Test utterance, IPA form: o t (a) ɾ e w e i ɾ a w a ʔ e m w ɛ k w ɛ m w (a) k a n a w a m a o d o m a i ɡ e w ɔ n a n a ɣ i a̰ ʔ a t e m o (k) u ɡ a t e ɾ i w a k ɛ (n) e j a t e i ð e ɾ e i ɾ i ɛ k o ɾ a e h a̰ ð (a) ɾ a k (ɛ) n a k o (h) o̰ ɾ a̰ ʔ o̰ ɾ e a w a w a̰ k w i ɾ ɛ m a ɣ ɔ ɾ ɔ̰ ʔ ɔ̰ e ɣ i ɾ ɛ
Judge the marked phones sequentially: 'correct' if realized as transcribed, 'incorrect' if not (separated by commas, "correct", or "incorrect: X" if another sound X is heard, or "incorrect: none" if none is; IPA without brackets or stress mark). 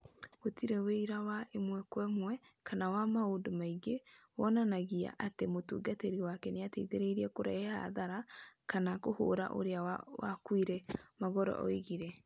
incorrect: i, incorrect: ɛ, incorrect: t, correct, correct, incorrect: a, correct